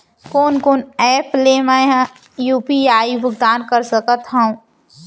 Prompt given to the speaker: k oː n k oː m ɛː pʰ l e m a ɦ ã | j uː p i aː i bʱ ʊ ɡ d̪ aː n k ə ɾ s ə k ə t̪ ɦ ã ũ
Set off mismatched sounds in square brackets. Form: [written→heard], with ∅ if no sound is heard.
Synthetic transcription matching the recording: k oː n k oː [m→n] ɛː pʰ l e m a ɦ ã | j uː p i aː i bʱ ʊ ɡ d̪ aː n k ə ɾ s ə k ə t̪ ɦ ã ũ